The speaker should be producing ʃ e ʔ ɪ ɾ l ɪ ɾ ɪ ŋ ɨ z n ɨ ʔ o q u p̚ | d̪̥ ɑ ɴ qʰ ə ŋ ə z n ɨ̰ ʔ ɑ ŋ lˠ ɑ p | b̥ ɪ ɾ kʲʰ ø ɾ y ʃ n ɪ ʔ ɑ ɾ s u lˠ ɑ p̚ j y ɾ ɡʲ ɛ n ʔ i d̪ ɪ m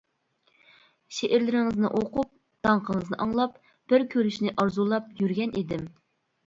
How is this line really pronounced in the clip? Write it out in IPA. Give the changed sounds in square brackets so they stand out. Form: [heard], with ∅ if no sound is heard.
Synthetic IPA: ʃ e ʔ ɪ ɾ l ɪ ɾ ɪ ŋ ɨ z n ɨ ʔ o q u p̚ | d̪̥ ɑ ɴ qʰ ə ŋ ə z n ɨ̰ ʔ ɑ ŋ lˠ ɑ p | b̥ ɪ ɾ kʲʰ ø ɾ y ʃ n ɪ ʔ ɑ ɾ [z] u lˠ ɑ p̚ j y ɾ ɡʲ ɛ n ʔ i d̪ ɪ m